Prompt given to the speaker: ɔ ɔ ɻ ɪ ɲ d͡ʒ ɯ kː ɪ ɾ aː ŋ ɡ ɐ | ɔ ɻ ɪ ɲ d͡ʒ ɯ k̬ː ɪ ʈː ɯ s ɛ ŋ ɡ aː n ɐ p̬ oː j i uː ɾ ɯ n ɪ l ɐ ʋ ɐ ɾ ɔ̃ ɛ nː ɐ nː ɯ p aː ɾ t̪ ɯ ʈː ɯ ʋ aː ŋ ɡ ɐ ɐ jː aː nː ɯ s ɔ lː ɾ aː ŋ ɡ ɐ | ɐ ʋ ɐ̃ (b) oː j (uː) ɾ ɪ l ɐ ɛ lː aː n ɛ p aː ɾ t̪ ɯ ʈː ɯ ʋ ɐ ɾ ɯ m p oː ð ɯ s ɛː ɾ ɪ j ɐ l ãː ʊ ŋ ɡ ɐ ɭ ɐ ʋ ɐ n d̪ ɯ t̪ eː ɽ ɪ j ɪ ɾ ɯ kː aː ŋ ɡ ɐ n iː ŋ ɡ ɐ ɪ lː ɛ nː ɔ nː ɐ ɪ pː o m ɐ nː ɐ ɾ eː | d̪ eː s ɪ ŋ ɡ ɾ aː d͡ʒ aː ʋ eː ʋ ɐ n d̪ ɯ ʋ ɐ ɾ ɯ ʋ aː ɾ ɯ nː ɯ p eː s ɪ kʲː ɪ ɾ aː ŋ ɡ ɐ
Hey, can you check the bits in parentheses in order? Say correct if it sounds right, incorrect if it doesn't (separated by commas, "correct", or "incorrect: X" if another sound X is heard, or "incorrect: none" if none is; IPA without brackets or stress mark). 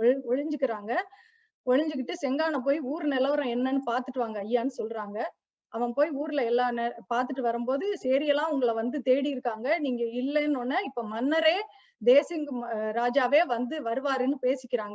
incorrect: p, correct